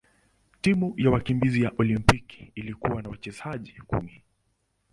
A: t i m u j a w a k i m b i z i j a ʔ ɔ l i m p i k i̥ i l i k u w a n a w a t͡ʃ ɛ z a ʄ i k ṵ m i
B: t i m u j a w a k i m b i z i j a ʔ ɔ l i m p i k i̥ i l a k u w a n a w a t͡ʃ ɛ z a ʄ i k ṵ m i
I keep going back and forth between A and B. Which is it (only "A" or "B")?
A